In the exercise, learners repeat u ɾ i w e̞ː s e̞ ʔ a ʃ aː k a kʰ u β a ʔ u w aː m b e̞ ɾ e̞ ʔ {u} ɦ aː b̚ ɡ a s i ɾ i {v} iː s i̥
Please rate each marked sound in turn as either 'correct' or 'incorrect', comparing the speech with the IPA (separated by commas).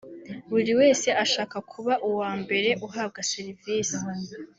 correct, correct